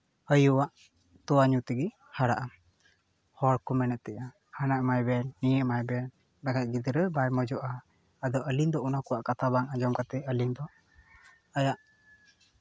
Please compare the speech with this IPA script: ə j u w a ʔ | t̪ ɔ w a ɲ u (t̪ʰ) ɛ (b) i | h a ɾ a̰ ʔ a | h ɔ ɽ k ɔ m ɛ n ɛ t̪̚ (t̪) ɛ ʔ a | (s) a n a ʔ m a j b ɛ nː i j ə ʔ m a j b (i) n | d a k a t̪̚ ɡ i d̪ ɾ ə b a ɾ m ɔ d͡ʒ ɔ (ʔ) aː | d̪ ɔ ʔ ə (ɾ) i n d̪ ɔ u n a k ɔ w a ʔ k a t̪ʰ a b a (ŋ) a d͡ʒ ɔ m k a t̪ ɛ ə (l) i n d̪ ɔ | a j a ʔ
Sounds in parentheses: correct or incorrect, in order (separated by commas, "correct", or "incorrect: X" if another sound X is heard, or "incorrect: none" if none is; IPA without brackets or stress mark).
incorrect: t̪, incorrect: ɡ, correct, incorrect: h, incorrect: ɛ, correct, incorrect: l, correct, correct